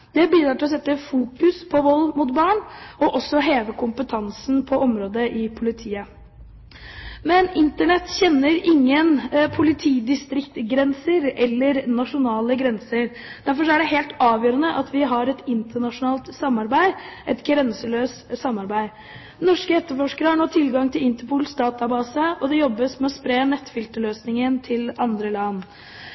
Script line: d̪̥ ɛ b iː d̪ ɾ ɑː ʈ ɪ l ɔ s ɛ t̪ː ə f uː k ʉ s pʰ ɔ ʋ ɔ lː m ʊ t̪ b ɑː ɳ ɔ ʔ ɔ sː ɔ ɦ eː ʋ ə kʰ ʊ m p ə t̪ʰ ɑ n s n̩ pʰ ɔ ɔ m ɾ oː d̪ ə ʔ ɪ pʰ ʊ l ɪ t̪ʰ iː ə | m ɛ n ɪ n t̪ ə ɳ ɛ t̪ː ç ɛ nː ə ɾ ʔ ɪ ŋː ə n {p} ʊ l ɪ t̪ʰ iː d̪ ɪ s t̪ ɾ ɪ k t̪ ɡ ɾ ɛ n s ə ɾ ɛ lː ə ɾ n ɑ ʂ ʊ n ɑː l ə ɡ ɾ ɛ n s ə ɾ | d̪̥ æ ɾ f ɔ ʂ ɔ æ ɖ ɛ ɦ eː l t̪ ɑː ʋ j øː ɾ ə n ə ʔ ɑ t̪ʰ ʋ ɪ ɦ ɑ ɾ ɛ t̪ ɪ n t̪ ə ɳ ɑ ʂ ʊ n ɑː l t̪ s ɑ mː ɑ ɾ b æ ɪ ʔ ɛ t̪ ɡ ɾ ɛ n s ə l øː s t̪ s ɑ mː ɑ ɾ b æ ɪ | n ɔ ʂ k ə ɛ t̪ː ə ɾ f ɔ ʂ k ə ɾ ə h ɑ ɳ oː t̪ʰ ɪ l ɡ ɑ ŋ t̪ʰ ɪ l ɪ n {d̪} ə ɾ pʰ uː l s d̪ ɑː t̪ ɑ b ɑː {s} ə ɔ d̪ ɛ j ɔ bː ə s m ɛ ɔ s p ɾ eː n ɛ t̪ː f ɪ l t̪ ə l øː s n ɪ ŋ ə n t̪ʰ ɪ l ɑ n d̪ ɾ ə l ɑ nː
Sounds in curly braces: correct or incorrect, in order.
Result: incorrect, incorrect, correct

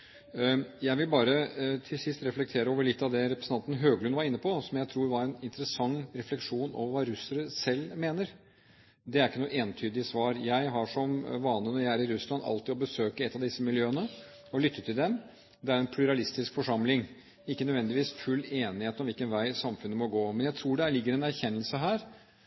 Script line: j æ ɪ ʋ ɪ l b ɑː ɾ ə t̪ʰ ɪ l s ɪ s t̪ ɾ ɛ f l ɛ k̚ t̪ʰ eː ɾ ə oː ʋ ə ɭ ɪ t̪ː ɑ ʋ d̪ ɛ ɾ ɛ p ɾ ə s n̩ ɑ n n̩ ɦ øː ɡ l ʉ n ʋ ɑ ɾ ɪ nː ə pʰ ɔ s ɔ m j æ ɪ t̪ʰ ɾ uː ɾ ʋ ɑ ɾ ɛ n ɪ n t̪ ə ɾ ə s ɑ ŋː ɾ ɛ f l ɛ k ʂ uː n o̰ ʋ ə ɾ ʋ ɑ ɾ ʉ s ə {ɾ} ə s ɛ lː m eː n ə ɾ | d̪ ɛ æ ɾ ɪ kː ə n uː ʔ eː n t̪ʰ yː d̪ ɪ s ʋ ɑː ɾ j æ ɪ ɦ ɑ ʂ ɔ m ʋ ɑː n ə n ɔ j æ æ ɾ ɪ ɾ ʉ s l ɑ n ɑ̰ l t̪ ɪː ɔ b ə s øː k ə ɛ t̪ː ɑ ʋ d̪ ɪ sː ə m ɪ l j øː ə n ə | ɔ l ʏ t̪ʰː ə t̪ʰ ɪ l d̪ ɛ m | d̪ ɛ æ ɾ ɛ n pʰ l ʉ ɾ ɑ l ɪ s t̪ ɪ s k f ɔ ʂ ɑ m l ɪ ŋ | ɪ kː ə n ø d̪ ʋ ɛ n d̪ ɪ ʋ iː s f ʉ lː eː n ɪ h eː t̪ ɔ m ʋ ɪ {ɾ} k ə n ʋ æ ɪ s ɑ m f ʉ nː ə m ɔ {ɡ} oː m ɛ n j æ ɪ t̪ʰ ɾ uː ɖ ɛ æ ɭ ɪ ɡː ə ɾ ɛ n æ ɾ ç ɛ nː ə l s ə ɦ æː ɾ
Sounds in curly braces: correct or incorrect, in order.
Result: correct, incorrect, correct

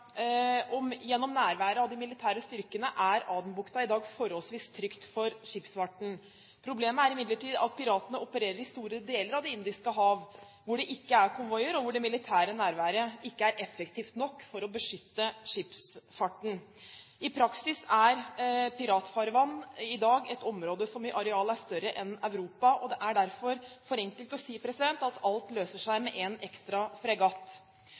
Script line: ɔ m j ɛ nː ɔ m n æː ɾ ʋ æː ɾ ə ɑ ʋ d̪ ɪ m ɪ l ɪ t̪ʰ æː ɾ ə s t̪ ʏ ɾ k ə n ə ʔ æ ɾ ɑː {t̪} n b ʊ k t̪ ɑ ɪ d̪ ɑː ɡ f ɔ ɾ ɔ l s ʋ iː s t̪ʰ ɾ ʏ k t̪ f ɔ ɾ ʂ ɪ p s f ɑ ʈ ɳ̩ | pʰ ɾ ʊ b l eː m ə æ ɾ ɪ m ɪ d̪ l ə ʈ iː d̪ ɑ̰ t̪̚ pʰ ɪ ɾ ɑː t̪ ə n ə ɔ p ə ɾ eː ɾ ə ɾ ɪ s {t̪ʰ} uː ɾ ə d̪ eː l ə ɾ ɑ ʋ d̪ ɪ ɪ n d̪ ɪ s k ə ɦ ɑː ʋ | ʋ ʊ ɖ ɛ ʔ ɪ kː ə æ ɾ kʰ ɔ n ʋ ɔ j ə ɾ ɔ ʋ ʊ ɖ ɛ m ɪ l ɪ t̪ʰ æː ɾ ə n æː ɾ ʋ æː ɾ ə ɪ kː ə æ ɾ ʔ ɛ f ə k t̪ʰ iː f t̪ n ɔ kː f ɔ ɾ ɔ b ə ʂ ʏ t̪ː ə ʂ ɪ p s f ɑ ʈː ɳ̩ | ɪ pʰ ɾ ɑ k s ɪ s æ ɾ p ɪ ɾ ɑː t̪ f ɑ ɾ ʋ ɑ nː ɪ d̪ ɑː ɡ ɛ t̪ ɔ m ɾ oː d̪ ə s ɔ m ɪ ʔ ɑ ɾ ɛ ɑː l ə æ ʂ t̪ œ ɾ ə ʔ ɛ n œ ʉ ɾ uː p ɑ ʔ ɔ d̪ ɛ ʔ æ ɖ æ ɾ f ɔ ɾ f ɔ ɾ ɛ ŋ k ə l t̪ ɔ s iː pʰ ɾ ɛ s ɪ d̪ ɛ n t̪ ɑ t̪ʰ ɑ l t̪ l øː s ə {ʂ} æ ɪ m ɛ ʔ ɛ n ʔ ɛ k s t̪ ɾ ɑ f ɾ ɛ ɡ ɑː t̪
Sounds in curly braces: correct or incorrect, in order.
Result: incorrect, incorrect, correct

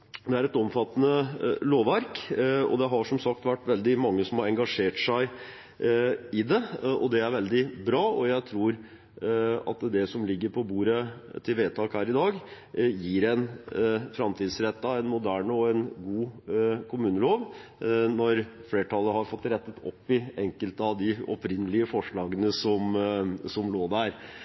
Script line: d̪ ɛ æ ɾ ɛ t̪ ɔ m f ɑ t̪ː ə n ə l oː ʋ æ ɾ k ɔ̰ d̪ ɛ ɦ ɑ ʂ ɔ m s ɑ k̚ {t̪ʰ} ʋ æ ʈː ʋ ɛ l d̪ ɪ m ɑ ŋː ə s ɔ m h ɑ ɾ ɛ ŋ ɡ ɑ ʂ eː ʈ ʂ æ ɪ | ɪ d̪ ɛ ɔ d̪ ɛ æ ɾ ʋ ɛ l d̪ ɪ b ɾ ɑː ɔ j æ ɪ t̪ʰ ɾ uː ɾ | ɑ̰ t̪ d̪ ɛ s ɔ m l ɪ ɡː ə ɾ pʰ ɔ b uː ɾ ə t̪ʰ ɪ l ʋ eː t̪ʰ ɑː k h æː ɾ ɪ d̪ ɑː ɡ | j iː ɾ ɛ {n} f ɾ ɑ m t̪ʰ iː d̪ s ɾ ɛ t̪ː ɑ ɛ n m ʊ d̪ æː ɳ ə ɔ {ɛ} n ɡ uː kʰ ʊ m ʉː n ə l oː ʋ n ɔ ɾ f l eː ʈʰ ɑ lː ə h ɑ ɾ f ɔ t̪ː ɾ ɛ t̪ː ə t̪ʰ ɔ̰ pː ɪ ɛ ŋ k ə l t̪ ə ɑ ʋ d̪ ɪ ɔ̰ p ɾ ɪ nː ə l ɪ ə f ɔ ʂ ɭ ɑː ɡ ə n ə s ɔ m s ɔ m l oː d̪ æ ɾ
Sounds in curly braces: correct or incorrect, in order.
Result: incorrect, correct, correct

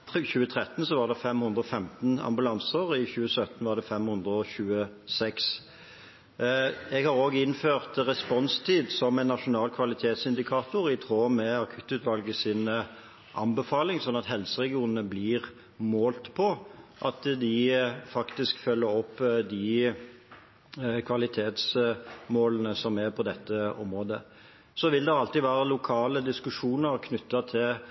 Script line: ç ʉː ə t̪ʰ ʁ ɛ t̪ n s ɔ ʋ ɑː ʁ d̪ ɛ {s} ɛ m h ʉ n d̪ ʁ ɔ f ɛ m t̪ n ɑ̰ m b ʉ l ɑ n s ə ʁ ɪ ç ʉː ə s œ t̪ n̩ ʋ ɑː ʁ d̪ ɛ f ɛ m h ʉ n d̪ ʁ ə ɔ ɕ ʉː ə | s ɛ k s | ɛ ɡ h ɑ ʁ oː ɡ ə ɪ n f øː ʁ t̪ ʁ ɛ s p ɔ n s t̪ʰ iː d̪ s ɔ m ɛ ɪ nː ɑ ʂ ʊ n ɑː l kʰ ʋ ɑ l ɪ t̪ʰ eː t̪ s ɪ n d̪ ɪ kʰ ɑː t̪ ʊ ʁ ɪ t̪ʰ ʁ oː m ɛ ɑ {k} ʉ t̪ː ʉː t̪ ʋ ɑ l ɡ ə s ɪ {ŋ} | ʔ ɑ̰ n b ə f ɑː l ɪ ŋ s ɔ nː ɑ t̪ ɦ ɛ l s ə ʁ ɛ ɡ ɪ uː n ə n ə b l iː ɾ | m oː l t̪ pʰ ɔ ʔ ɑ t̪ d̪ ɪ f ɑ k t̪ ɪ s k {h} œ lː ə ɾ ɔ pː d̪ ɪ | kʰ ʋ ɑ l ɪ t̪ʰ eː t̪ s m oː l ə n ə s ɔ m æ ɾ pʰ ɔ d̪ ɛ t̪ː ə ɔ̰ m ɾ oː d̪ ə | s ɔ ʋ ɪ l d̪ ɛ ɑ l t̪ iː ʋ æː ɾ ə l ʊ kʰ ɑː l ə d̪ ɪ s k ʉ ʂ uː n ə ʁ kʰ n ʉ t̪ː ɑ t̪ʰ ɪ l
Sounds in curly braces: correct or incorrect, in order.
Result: incorrect, incorrect, incorrect, incorrect

